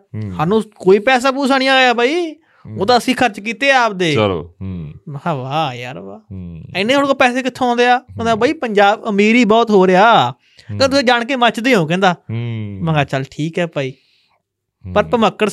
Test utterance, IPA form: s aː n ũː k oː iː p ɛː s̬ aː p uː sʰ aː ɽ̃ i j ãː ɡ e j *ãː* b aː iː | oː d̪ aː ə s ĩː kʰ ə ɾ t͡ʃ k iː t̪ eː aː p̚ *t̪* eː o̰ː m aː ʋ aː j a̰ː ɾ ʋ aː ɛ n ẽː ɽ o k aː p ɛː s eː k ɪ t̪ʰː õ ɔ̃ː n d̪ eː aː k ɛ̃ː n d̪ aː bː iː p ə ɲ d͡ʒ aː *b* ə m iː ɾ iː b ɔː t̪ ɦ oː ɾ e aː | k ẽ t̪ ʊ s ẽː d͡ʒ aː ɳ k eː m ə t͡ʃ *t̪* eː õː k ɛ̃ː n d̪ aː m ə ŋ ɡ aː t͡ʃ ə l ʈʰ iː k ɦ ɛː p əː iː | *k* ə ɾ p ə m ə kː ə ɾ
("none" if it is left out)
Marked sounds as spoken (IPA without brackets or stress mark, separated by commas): aː, d̪, b, d̪, p